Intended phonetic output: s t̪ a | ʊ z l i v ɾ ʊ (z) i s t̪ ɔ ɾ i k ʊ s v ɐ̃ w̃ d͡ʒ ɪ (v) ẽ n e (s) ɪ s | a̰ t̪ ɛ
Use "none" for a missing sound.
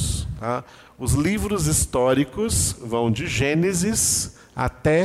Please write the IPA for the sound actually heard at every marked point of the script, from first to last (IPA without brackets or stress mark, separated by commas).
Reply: z, ʒ, z